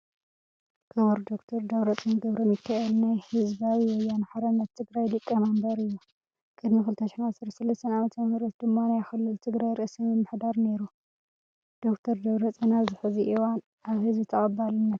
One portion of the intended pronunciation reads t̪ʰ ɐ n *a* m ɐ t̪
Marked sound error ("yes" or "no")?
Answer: no